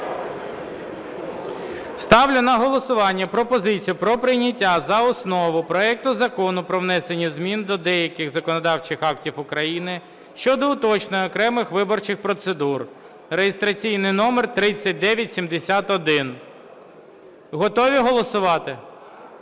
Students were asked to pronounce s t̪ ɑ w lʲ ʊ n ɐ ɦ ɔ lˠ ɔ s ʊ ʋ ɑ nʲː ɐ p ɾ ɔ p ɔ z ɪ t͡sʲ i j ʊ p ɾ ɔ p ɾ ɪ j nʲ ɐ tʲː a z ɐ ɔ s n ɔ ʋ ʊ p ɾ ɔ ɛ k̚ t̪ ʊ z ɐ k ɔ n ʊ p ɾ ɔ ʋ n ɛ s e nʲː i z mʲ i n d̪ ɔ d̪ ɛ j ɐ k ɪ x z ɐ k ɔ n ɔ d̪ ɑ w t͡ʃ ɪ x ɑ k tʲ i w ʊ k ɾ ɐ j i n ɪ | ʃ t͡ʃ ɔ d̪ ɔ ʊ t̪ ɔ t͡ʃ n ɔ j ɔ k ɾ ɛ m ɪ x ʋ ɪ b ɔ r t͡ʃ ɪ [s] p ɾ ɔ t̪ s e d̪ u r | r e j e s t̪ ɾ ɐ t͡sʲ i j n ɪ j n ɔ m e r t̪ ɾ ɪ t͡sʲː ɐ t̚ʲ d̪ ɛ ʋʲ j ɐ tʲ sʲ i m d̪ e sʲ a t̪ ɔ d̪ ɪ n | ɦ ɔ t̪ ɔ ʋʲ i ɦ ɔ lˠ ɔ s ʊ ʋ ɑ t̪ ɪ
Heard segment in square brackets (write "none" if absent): x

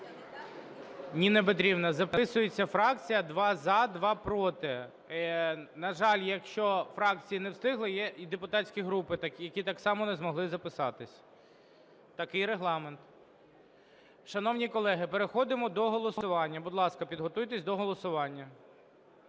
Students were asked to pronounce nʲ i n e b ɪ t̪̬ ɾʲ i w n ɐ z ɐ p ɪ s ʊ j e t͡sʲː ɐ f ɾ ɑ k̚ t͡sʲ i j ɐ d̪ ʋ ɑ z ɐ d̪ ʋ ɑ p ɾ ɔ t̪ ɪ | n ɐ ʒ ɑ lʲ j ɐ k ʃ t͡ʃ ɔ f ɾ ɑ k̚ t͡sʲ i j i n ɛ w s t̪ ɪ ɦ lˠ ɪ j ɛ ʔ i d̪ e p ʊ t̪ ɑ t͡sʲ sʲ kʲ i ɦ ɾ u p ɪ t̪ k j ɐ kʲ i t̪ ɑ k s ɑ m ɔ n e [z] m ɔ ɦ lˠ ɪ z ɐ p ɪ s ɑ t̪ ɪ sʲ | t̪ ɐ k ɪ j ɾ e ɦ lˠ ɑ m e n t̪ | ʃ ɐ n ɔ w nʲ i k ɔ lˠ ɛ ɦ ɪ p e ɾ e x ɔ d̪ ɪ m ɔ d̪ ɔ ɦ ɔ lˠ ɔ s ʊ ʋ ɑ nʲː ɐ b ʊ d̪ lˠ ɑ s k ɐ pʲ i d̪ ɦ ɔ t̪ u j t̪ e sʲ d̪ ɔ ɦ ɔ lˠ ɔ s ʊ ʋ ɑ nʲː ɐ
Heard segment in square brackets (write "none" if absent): z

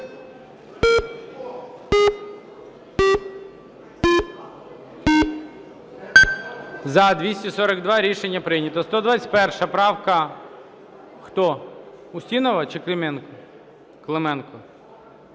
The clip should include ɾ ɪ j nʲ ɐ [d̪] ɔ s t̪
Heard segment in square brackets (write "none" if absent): t̪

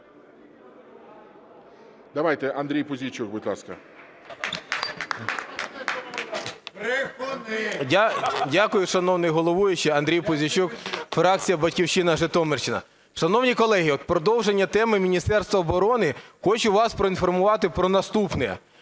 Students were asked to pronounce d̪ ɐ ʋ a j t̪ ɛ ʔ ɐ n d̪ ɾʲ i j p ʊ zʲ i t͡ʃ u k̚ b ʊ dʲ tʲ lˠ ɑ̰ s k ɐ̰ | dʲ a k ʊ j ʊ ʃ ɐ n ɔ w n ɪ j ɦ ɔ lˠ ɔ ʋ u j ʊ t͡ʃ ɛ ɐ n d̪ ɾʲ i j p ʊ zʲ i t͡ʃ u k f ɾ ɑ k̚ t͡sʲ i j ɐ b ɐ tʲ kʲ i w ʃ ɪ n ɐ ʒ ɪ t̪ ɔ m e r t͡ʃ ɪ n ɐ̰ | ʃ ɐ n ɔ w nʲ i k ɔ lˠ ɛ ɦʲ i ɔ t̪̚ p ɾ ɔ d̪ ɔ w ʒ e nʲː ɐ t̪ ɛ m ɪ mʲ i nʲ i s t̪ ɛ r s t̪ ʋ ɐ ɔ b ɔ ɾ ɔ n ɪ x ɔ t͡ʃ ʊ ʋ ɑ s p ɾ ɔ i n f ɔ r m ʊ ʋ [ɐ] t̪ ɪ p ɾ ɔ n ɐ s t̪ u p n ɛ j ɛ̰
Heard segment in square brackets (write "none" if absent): ɑ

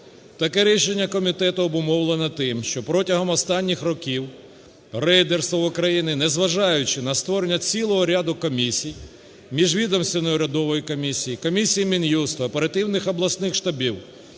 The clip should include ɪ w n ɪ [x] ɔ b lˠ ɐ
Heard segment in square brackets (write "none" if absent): x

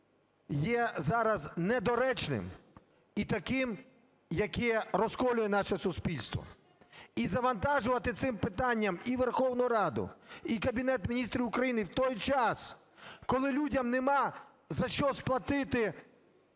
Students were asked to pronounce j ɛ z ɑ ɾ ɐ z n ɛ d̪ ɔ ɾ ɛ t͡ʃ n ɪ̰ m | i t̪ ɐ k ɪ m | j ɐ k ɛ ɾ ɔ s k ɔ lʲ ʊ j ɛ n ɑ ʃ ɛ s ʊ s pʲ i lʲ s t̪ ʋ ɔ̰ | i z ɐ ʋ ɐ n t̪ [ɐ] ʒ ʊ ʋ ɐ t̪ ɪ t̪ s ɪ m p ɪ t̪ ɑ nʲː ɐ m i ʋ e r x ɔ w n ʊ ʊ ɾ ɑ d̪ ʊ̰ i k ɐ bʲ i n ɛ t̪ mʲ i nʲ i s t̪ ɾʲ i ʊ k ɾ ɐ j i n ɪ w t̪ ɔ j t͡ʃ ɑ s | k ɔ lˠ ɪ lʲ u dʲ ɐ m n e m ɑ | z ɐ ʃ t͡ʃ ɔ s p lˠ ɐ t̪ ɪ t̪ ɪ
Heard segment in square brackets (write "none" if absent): ɑ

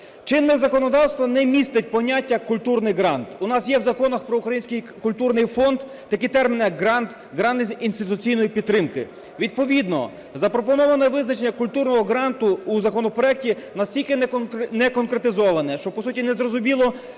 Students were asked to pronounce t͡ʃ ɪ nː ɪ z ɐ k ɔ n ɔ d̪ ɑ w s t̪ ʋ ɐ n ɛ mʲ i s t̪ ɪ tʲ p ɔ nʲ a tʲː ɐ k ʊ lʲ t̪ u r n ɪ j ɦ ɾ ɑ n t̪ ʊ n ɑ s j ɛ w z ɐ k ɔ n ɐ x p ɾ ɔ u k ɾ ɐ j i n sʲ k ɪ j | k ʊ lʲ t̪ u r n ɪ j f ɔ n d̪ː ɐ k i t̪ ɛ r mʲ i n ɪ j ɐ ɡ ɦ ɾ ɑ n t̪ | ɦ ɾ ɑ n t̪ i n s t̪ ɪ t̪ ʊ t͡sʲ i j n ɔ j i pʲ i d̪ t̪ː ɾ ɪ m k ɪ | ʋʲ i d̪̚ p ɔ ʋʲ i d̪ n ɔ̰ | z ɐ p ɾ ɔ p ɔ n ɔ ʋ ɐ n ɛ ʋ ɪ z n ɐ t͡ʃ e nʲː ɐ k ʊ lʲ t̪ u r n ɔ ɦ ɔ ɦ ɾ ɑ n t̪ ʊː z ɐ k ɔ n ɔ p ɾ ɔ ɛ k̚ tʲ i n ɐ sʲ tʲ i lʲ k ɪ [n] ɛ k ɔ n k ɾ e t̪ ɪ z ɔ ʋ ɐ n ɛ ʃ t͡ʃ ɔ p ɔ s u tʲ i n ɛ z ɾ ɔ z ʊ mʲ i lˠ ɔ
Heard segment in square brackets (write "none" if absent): n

